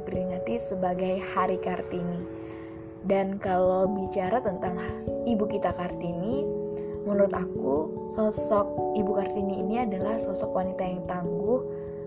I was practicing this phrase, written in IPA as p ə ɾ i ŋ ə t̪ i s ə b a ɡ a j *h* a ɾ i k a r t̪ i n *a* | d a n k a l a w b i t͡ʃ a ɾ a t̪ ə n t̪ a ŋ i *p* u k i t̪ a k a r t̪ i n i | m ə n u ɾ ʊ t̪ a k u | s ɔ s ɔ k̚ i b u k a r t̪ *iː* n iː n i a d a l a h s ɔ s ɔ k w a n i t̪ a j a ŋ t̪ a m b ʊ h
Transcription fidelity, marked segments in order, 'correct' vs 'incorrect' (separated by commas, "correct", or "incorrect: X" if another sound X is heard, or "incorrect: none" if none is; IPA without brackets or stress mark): correct, incorrect: i, incorrect: b, incorrect: i